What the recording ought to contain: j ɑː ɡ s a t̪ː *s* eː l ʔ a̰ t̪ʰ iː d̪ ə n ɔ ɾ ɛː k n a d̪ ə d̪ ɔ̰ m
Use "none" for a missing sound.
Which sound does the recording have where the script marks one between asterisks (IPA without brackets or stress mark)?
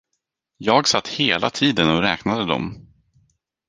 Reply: h